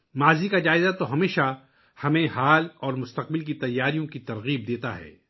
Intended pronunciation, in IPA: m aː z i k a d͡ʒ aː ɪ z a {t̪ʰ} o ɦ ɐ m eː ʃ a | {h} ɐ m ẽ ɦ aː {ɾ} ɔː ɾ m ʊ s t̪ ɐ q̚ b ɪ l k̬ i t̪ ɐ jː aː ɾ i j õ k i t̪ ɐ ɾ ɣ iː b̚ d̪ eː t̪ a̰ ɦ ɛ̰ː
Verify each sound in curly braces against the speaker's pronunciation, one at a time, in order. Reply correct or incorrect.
incorrect: t̪, correct, incorrect: l

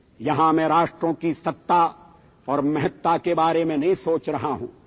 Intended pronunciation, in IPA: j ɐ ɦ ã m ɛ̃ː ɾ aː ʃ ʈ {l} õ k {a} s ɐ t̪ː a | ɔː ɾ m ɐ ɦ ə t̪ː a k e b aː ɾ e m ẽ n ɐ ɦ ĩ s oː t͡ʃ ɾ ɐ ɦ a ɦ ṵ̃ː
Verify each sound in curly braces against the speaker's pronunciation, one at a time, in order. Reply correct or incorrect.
incorrect: ɾ, incorrect: i

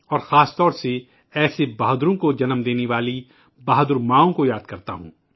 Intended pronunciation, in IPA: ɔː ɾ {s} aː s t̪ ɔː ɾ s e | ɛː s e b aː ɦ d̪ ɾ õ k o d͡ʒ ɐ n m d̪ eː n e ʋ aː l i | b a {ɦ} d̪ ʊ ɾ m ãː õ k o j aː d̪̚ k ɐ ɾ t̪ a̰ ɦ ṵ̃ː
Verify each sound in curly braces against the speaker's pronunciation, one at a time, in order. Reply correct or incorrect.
incorrect: x, correct

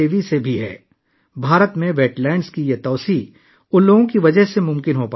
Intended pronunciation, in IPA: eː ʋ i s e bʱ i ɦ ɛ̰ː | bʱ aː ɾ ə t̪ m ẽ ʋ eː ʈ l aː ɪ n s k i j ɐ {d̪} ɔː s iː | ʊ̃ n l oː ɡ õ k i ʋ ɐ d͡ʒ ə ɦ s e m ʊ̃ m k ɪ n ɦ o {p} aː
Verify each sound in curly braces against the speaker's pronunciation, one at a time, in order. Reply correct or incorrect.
incorrect: t̪, correct

